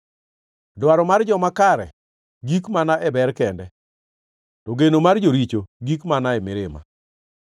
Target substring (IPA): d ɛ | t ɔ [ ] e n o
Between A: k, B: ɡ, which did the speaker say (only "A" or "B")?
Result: B